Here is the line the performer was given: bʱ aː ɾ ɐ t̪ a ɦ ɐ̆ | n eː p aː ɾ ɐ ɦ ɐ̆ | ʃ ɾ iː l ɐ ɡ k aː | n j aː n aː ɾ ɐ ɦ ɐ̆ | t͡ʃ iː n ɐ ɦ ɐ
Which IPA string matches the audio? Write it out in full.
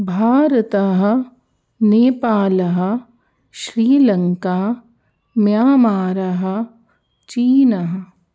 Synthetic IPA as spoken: bʱ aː ɾ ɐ t̪ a ɦ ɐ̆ | n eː p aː l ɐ ɦ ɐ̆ | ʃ ɾ iː l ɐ ŋ k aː | m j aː m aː ɾ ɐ ɦ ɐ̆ | t͡ʃ iː n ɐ ɦ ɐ